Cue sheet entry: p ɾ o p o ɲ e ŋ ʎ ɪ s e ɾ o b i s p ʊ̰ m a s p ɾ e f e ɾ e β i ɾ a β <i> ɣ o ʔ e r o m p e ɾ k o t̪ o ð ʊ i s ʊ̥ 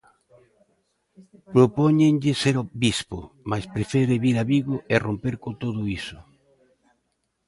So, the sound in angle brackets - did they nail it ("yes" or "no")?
yes